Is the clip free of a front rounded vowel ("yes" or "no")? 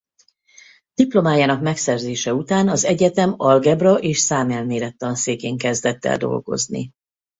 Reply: yes